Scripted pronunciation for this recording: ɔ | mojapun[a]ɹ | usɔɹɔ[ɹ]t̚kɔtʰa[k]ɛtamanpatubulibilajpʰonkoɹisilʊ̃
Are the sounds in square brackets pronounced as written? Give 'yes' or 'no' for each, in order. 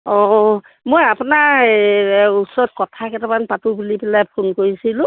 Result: yes, no, yes

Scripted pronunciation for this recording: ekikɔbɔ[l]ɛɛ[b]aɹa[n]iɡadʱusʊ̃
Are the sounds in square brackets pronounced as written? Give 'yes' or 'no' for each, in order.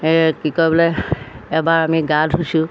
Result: yes, yes, no

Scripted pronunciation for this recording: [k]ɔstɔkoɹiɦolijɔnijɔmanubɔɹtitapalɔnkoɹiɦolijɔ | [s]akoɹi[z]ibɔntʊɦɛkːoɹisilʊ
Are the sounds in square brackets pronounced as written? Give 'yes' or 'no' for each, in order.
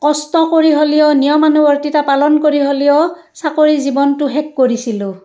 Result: yes, yes, yes

